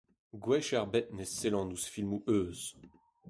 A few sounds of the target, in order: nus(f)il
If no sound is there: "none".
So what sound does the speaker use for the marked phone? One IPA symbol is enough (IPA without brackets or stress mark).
f